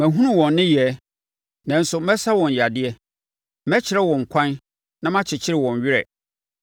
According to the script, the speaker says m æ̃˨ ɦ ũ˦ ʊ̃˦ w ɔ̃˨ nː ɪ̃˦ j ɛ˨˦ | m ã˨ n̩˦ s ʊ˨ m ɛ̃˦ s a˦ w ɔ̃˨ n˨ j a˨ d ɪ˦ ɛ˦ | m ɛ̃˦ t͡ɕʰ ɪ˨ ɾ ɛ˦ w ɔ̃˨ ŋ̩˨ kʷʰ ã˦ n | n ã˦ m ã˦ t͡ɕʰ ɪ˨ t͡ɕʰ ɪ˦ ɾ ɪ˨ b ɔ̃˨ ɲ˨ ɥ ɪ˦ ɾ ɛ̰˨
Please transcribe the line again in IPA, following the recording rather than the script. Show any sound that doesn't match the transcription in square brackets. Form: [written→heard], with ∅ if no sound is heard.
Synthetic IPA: m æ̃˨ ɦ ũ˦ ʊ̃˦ w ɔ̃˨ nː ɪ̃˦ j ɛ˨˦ | [m→n] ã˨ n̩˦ s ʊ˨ m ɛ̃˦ s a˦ w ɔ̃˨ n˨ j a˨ d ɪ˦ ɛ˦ | m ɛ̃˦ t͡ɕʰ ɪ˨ ɾ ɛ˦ w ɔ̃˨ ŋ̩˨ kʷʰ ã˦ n | n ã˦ m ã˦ t͡ɕʰ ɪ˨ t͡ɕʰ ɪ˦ ɾ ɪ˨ [b→w] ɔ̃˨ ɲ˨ ɥ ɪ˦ ɾ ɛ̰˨